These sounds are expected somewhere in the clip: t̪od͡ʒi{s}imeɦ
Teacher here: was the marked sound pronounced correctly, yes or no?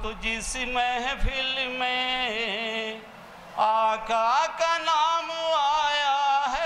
yes